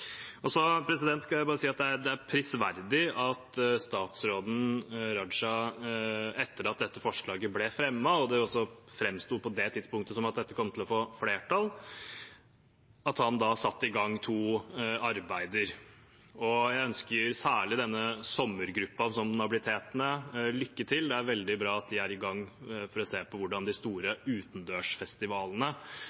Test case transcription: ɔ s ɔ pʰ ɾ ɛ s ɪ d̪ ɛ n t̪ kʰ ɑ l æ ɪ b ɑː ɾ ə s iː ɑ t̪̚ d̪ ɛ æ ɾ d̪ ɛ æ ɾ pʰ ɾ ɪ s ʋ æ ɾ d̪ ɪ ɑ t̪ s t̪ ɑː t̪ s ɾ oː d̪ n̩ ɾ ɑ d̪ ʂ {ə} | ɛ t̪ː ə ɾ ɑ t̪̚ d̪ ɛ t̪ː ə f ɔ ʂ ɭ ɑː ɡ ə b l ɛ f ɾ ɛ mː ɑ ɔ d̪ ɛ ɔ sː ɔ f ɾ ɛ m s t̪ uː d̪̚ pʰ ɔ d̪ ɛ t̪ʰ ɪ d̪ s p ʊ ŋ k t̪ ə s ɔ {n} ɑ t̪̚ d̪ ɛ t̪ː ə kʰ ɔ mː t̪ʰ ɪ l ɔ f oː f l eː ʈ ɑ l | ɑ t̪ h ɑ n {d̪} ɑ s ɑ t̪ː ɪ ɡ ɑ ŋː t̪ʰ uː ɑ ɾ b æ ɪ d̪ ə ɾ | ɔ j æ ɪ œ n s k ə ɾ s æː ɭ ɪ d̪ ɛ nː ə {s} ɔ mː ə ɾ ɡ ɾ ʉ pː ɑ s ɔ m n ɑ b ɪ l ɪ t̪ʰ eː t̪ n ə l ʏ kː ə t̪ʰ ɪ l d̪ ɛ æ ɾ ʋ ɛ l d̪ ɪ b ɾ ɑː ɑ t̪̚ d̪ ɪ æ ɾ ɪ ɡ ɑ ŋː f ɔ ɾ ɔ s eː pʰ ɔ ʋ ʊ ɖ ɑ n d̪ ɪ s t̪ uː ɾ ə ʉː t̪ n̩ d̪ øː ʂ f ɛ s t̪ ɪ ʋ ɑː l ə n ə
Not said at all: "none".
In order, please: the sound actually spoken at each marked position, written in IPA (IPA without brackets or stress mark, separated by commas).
ɑ, m, d̪, s